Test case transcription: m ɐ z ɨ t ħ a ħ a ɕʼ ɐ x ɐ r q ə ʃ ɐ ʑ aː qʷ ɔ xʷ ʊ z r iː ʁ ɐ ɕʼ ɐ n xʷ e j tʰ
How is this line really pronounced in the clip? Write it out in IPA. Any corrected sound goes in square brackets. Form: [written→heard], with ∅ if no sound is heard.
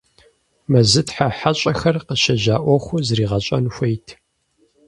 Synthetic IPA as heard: m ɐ z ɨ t ħ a ħ a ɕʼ ɐ x ɐ r q ə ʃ ɐ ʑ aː [qʷ→ʔʷ] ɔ xʷ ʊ z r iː ʁ ɐ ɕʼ ɐ n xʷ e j tʰ